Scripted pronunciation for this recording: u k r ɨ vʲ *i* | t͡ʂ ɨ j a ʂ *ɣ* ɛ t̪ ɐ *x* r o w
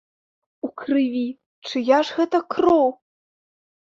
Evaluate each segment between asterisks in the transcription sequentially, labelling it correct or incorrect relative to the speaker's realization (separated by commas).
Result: correct, correct, incorrect